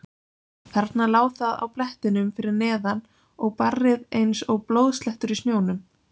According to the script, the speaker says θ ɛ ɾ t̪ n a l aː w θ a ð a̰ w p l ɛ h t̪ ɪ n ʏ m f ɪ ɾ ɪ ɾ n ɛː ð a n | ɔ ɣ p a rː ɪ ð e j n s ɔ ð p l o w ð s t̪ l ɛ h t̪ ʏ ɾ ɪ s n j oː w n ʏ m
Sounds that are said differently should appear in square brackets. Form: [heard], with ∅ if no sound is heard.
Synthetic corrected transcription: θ ɛ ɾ t̪ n a l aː w θ a ð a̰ w p l ɛ h t̪ ɪ n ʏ m f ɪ ɾ ɪ ɾ n ɛː ð a n | ɔ ɣ p a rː ɪ ð e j n s ɔ [ɣ] p l o w ð s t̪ l ɛ h t̪ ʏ ɾ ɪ s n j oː w n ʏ m